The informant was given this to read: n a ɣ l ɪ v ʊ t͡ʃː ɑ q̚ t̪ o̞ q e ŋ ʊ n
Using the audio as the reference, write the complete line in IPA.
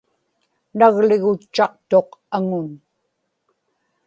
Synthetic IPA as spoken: n a ɣ l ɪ ɣ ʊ t͡ʃː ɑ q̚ t̪ o̞ q a ŋ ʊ n

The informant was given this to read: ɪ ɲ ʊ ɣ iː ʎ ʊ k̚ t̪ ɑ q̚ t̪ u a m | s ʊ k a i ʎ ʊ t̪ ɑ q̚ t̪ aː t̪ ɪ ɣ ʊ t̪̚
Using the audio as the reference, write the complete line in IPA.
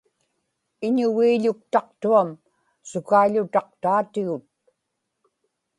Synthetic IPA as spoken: ɪ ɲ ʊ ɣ iː ʎ ʊ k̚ t̪ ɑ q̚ t̪ u a m | s ʊ k a i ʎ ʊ t̪ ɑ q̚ t̪ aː t̪ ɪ ɣ ʊ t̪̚

